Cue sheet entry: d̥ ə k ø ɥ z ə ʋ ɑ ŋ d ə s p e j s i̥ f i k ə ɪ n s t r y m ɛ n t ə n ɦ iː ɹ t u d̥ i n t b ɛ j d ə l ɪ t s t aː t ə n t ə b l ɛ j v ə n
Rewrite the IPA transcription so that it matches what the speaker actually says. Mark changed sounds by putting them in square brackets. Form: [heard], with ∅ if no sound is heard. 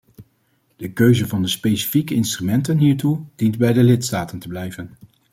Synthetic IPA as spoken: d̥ ə k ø ɥ z ə [v] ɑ [n] d ə s p e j s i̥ f i k ə ɪ n s t r y m ɛ n t ə n ɦ iː ɹ t u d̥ i n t b ɛ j d ə l ɪ t s t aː t ə n t ə b l ɛ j v ə n